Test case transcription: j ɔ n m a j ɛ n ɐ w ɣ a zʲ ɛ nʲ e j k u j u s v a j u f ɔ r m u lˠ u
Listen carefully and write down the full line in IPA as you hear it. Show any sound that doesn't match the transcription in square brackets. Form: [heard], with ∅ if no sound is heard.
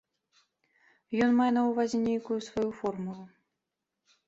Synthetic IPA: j ɔ n m a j ɛ n ɐ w [v] a zʲ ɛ nʲ e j k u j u s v a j u f ɔ r m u lˠ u